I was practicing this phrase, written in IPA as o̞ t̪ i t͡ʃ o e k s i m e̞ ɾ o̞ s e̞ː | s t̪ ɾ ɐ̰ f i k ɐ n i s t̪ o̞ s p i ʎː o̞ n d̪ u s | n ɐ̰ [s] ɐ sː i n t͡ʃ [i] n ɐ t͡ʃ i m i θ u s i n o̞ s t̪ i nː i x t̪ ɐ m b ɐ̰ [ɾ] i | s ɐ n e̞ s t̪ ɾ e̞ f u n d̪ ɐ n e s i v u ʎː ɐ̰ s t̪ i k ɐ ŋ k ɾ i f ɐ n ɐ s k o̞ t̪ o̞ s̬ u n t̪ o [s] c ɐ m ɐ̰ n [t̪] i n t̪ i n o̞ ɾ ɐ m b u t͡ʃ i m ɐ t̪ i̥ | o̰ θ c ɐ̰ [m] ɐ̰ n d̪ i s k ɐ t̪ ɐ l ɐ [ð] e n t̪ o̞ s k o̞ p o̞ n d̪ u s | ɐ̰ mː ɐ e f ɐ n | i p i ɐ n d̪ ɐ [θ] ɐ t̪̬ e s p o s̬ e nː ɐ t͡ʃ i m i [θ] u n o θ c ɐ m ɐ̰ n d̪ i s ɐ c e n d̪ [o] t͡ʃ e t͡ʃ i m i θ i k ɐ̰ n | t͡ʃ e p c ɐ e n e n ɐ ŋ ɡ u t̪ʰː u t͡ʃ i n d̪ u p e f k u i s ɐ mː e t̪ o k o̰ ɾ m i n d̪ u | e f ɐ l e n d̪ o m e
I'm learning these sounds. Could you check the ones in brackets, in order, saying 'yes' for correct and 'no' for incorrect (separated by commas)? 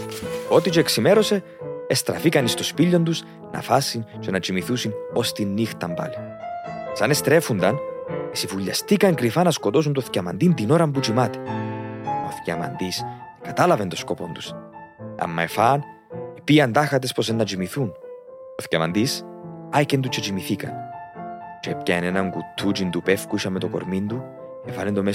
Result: no, no, no, no, no, yes, no, no, yes, no